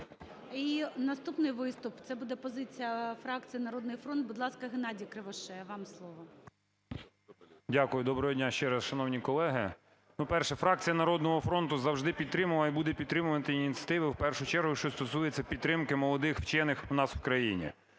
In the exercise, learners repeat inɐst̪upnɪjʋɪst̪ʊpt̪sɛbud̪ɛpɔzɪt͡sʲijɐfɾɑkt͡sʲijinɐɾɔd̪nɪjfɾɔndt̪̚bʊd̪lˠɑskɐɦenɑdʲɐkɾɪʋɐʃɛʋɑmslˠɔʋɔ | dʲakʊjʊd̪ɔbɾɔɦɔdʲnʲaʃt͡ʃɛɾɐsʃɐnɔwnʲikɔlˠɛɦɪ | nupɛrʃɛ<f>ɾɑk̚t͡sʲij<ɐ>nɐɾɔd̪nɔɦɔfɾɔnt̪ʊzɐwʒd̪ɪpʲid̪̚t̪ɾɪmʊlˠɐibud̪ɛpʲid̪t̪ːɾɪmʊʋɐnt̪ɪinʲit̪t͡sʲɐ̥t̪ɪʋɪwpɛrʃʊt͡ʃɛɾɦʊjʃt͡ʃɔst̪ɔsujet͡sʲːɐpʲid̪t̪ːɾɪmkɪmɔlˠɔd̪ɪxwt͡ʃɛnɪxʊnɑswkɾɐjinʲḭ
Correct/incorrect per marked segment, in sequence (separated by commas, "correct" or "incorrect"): correct, correct